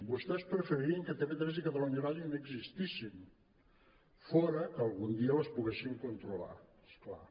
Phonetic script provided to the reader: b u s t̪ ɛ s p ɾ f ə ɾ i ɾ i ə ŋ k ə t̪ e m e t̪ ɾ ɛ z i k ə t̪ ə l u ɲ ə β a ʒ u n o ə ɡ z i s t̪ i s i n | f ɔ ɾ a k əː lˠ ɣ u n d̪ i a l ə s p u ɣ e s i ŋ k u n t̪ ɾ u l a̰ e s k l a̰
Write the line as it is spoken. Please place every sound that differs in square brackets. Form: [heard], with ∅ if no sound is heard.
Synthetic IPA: b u s t̪ ɛ s p ɾ f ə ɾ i ɾ i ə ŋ k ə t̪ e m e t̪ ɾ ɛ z i k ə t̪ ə l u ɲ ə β a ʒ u n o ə ɡ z i s t̪ i s i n | f ɔ ɾ [ə] k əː lˠ ɣ u n d̪ i [ə] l ə s p u ɣ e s i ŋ k u n t̪ ɾ u l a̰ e s k l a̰

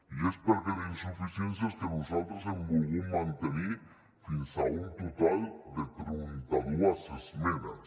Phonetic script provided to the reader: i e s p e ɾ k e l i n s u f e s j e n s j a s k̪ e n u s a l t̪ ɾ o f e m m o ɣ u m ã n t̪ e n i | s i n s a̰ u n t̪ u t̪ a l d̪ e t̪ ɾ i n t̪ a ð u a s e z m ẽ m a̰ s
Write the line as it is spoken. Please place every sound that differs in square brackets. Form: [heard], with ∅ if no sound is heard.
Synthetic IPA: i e s p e ɾ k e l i n s u f [i] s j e n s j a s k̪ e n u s a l t̪ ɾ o [s] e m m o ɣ u m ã n t̪ e n i | [f] i n s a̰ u n t̪ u t̪ a l d̪ e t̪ ɾ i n t̪ a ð u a s e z m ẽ [n] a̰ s

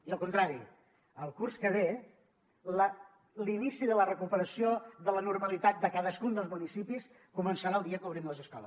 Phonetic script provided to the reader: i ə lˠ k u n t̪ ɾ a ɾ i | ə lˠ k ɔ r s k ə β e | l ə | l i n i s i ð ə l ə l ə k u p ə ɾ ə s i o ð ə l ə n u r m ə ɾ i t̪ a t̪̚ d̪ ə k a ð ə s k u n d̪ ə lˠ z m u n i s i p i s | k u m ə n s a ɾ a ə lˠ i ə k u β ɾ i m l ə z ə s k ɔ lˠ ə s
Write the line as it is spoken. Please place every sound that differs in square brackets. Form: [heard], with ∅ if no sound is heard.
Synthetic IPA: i ə lˠ k u n t̪ ɾ a ɾ i | ə lˠ k [u] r s k ə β e | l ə | l i n i s i ð ə l ə [r] ə k u p ə ɾ ə s i o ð ə l ə n u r m ə [l] i t̪ a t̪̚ d̪ ə k a ð ə s k u n d̪ ə lˠ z m u n i s i p i s | k u m ə n s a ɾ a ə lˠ i ə k u β ɾ i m l ə z ə s k ɔ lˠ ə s

